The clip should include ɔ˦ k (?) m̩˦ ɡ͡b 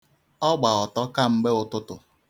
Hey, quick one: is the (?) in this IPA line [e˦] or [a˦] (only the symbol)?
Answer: a˦